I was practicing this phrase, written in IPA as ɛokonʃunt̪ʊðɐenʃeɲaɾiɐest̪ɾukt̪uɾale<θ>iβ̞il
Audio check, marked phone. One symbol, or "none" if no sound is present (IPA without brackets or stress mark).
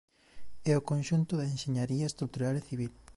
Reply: θ